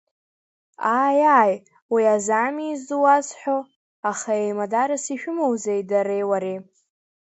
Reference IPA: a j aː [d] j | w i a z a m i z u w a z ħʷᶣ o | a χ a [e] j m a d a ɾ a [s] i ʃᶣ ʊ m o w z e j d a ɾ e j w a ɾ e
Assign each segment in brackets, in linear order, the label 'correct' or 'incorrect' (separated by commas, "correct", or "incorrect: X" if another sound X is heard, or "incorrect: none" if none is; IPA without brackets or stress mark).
incorrect: none, correct, correct